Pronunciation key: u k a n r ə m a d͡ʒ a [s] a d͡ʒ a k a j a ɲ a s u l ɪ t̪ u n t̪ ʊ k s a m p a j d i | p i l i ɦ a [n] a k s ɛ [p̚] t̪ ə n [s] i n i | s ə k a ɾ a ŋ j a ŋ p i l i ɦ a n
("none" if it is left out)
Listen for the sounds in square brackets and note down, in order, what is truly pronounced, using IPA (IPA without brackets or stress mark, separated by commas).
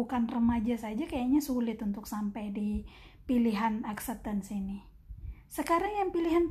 s, n, p̚, s